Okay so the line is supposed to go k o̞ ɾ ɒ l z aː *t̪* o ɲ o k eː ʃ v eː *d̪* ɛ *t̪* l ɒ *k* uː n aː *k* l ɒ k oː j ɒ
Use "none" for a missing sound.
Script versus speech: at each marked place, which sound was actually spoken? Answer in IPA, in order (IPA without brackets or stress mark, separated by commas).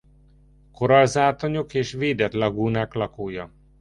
t̪, d̪, t̪, ɡ, k